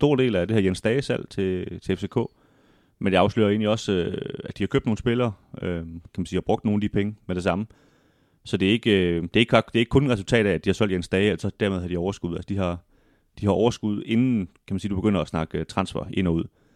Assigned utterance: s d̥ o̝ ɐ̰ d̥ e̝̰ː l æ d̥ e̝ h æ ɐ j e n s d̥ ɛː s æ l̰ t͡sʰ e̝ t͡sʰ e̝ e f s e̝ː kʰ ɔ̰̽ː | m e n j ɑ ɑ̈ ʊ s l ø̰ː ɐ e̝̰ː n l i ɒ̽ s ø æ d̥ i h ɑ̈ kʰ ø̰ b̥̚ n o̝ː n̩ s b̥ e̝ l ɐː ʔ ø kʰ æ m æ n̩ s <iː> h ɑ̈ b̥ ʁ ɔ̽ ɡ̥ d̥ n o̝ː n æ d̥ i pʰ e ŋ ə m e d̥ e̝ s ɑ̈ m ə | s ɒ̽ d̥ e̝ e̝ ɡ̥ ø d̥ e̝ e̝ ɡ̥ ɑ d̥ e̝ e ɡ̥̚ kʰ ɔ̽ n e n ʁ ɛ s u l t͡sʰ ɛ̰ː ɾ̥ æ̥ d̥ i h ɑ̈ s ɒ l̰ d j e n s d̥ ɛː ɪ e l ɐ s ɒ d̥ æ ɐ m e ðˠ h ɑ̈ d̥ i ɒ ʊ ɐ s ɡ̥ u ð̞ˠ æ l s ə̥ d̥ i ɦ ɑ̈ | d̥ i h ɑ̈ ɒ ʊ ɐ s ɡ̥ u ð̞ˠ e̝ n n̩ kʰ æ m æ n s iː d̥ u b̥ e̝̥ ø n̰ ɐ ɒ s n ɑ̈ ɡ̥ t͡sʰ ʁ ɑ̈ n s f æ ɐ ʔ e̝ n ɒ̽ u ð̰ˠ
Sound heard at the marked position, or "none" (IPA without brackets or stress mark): iː